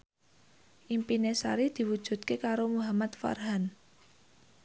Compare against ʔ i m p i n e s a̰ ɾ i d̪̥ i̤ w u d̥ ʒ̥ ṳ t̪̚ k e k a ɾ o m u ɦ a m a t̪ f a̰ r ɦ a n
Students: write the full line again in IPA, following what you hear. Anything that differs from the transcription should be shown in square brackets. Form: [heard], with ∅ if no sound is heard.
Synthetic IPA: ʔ i m p i n e s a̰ ɾ i d̪̥ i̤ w u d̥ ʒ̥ ṳ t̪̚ k e k a ɾ o m u ɦ a m a t̪ f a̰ r ɦ a n